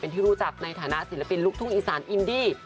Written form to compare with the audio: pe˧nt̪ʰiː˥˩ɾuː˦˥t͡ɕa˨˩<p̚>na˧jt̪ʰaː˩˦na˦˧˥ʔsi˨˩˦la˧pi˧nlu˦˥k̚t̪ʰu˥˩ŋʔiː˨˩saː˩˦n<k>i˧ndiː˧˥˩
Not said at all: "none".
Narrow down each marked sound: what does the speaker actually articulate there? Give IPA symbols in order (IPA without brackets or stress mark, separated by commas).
k̚, ʔ